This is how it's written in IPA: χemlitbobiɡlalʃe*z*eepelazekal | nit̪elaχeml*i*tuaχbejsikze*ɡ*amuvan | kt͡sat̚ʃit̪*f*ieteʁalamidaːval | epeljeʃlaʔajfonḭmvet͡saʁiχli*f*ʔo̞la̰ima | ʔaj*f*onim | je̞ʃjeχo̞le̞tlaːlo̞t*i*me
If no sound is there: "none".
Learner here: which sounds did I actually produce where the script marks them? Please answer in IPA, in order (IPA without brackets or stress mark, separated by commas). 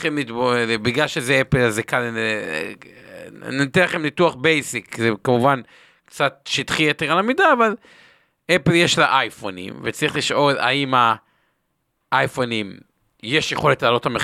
z, i, k, χ, ʃ, f, a